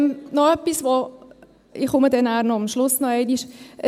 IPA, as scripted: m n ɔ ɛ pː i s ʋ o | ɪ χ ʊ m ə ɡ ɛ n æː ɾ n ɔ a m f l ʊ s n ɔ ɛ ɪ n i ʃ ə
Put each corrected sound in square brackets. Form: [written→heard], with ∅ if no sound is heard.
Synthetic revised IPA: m n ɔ [ɛ→œ] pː i s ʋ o | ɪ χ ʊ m ə [ɡ→d] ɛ n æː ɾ n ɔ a m [f→ʃ] l ʊ s n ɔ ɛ ɪ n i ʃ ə